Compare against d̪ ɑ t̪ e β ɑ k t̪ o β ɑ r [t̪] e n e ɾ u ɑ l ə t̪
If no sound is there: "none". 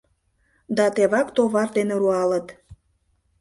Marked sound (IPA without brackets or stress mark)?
d̪